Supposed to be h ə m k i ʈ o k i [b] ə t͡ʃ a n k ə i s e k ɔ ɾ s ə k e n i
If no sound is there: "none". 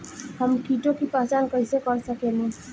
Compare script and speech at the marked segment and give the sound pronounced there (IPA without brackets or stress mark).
p